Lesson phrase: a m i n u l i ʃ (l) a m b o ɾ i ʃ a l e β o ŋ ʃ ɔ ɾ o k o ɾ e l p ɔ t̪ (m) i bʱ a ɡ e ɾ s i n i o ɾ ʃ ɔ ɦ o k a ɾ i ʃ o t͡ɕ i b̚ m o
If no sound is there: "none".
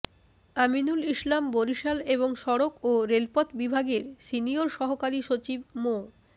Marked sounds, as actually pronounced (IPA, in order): l, b

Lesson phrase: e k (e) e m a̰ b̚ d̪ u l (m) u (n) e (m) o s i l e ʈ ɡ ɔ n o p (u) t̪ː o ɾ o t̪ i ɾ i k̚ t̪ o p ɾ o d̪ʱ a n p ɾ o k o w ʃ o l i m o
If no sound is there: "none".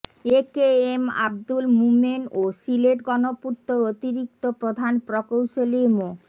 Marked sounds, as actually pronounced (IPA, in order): e, m, m, n, u

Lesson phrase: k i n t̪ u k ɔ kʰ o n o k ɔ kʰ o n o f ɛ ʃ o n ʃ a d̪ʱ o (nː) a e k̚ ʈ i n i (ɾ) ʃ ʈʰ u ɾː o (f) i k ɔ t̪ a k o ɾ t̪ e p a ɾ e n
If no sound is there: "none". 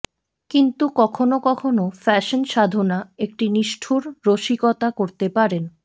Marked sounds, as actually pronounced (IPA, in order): n, none, ʃ

